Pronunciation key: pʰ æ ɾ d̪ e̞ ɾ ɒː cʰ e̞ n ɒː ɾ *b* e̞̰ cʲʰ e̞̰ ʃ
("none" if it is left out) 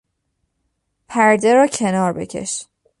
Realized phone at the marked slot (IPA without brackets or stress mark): b